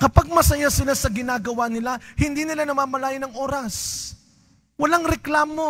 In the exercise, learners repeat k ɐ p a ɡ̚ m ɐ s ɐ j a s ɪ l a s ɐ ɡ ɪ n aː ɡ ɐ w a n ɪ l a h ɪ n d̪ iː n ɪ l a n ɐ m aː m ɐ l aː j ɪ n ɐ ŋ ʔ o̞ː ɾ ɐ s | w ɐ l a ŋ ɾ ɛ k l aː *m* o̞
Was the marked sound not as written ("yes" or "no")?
no